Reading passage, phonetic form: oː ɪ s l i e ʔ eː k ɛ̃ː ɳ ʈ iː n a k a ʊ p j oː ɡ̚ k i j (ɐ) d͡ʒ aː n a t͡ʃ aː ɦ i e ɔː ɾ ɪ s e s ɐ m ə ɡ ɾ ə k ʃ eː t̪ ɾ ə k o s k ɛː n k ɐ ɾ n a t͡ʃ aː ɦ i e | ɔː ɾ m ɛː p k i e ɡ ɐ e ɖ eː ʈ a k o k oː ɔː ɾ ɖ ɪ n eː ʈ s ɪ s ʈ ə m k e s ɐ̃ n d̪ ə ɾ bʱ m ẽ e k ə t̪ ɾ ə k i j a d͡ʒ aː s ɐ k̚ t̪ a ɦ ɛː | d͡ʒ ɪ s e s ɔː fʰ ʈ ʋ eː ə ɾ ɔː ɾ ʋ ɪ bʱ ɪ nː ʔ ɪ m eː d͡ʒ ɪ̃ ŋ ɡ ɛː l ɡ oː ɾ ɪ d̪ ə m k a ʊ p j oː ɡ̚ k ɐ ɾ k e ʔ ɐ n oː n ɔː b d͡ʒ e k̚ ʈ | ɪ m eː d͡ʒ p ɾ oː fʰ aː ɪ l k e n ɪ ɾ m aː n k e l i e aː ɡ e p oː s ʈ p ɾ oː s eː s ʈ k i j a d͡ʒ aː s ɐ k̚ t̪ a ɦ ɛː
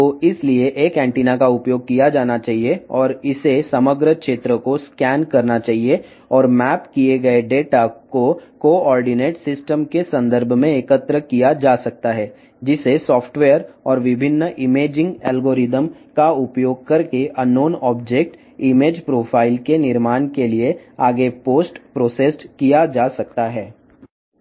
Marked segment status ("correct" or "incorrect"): incorrect